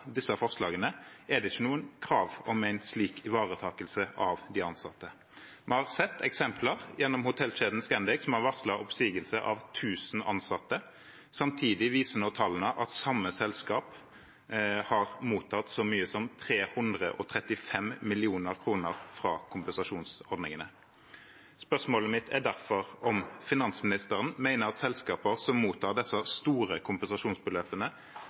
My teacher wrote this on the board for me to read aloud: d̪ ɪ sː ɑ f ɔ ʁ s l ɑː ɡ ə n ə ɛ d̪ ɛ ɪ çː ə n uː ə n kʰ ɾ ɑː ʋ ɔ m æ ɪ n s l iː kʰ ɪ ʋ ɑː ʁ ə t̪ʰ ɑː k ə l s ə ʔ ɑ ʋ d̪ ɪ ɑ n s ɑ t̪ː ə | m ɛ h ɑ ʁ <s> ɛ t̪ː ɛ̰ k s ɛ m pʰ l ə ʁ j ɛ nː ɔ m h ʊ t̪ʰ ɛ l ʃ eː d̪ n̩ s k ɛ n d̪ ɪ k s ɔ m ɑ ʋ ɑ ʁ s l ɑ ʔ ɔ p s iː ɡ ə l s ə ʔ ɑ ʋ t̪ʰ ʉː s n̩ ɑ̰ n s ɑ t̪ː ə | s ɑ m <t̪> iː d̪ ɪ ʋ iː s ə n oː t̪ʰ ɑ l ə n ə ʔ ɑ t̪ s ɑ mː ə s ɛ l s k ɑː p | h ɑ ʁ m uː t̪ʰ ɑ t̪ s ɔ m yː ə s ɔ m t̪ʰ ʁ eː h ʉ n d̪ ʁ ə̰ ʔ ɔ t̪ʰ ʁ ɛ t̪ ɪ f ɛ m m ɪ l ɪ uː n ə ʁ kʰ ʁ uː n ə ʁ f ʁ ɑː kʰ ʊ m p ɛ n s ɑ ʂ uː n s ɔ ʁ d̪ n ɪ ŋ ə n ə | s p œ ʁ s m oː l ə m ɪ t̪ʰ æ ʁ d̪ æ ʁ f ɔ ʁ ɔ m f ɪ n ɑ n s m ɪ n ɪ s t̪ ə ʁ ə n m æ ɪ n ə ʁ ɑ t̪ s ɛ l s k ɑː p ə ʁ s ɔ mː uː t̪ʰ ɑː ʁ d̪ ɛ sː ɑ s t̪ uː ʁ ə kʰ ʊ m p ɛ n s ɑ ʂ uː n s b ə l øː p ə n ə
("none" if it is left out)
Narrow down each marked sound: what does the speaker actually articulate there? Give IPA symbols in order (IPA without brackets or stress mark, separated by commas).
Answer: s, t̪ʰ